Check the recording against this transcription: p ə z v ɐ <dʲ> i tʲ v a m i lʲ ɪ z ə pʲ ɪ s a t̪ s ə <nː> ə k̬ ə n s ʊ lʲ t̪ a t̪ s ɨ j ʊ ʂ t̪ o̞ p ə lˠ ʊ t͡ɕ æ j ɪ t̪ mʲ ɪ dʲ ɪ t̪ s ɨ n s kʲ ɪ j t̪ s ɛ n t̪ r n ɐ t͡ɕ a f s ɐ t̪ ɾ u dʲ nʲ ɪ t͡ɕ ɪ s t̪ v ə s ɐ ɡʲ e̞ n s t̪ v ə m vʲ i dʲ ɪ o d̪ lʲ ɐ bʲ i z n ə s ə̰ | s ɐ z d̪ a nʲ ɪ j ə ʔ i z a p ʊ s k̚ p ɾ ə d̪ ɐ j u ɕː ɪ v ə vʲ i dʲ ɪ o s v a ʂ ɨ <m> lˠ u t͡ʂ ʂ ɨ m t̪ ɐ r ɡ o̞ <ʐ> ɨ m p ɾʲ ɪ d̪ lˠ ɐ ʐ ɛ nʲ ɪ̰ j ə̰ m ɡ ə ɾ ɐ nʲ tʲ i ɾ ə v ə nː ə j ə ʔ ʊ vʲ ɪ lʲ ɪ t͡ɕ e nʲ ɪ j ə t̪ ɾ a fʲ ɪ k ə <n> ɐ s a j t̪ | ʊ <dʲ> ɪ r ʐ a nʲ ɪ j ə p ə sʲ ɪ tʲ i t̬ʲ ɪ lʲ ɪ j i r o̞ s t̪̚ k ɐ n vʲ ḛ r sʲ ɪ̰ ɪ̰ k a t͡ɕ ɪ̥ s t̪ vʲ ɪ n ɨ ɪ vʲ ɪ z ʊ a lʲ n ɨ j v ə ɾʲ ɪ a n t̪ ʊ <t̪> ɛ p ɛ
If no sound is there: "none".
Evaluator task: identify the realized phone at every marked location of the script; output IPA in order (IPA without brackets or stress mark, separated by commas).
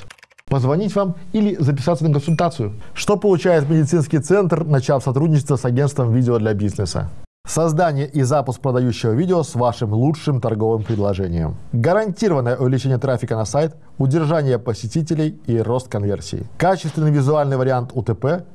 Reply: nʲ, n, m, v, n, dʲ, t̪